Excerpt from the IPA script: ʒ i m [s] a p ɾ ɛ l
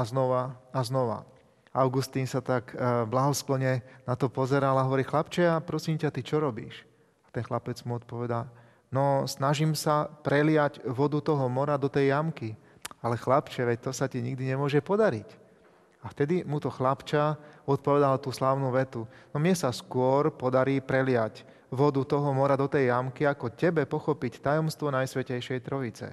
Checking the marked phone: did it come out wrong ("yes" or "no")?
no